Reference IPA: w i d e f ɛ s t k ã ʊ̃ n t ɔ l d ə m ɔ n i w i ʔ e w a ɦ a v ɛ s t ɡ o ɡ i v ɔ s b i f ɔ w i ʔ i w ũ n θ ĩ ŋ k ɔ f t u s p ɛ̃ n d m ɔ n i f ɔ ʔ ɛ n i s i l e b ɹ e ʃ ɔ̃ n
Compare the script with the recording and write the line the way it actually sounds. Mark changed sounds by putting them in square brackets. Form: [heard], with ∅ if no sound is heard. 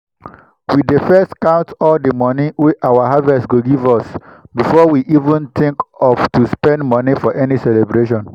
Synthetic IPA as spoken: w i d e f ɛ s t k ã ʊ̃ n t ɔ l d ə m ɔ n i w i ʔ [a] w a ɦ a v ɛ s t ɡ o ɡ i v ɔ s b i f ɔ w i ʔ i [v] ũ n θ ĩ ŋ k ɔ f t u s p ɛ̃ n d m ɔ n i f ɔ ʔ ɛ n i s [ɛ] l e b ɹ e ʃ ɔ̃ n

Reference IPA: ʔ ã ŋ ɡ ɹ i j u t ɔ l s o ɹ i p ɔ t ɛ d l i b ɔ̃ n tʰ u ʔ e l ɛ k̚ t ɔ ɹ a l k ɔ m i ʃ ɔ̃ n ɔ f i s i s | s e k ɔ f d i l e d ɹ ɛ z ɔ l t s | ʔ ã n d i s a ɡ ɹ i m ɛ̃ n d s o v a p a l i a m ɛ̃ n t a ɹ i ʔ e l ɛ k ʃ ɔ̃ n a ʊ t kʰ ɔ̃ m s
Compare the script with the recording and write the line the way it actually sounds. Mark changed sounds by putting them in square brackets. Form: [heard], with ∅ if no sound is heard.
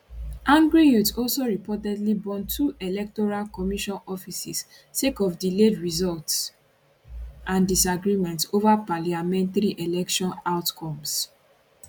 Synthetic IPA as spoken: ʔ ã ŋ ɡ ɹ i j u t ɔ l s o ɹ i p ɔ t ɛ d l i b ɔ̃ n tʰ u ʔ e l ɛ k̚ t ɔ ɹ a l k ɔ m i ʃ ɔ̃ n ɔ f i s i s | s e k ɔ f d i l e d ɹ [i] z ɔ l t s | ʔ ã n d i s a ɡ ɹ i m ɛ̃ n [t] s o v a p a l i a m ɛ̃ n t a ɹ i ʔ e l ɛ k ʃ ɔ̃ n a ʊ t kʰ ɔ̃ m s

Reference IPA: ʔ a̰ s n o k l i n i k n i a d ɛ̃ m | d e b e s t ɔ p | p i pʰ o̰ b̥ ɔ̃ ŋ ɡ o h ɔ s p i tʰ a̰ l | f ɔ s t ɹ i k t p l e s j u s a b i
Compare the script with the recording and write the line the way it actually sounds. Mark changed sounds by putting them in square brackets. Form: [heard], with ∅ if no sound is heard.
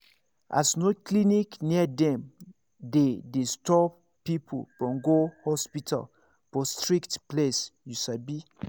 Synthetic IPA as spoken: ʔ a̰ s n o k l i n i k n i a d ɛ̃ m | d e [d] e s t ɔ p | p i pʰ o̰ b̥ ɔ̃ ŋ ɡ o h ɔ s p i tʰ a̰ l | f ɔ s t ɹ i k t p l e s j u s a b i

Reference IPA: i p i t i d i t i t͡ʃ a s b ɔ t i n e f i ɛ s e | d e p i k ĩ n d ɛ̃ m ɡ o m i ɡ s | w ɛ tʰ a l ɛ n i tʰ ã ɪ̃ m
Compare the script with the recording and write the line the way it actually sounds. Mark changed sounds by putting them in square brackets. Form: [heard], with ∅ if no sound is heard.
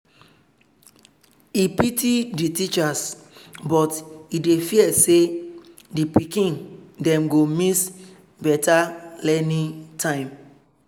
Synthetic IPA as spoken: i p i t i d i t i t͡ʃ a s b ɔ t i [d] e f i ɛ s e | d [i] p i k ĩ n d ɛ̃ m ɡ o m i [∅] s | [b] ɛ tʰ a l ɛ n i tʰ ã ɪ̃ m

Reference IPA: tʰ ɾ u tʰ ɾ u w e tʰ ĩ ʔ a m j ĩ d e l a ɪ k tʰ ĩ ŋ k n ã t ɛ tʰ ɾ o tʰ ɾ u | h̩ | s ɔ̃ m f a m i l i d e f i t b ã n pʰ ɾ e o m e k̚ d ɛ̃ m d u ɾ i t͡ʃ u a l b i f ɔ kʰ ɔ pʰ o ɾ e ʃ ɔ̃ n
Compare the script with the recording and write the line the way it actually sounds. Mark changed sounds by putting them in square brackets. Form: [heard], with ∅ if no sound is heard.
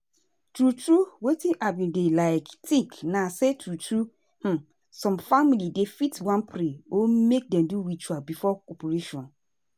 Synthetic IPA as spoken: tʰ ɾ u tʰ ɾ u w e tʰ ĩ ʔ a [b] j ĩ d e l a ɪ k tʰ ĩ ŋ k n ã [s] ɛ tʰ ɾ [u] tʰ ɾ u | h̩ | s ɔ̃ m f a m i l i d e f i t [w] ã n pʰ ɾ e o m e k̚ d ɛ̃ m d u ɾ i t͡ʃ u a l b i f ɔ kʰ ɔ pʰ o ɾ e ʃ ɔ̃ n

